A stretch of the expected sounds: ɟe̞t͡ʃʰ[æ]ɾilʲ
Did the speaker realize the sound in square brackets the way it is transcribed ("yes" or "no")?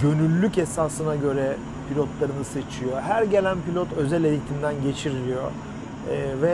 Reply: no